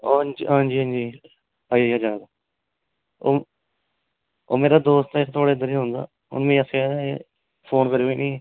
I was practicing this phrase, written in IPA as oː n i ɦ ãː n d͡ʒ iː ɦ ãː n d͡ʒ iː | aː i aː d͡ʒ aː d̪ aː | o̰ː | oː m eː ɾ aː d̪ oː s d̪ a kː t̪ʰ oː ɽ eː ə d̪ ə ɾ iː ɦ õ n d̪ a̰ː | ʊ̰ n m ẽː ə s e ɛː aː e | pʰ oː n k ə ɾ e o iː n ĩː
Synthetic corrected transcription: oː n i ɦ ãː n d͡ʒ iː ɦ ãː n d͡ʒ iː | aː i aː d͡ʒ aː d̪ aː | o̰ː | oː m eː ɾ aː d̪ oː s t̪ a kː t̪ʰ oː ɽ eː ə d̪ ə ɾ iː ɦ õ n d̪ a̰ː | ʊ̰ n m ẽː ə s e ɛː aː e | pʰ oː n k ə ɾ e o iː n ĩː